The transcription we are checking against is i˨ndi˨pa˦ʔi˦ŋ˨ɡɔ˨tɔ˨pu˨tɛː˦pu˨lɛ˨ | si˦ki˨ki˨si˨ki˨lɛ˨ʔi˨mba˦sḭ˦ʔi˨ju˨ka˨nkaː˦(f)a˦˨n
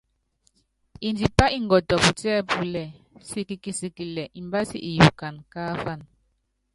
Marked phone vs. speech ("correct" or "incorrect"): correct